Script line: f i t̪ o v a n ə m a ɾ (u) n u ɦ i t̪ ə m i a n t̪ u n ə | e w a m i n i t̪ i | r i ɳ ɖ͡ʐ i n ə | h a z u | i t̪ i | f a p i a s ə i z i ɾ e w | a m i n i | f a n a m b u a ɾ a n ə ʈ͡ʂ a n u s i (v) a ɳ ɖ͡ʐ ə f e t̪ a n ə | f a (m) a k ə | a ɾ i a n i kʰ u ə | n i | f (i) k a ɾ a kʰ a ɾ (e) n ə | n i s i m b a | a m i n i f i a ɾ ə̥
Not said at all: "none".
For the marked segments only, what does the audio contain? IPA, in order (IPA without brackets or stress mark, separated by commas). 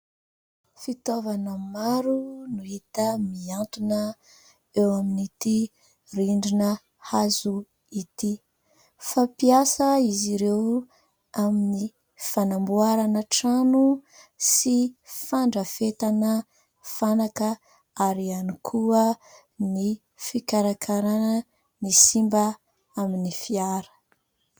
u, f, n, i, a